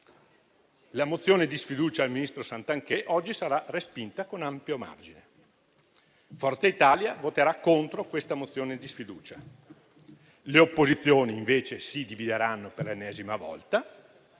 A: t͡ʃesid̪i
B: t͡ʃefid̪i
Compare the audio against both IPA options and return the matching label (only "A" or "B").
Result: A